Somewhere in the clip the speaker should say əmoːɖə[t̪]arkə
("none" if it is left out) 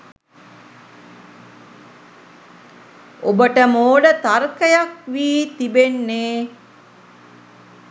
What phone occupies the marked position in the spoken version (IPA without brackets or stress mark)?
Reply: t̪